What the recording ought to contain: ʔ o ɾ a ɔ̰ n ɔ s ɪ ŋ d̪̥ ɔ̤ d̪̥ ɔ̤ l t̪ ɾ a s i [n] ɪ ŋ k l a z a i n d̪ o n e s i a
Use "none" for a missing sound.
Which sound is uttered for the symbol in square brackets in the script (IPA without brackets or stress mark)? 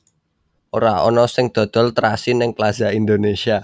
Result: n